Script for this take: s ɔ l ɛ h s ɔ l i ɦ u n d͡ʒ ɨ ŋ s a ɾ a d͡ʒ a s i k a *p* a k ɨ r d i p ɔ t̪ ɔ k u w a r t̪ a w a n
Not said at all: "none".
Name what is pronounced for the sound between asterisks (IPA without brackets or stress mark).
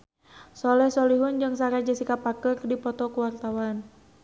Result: p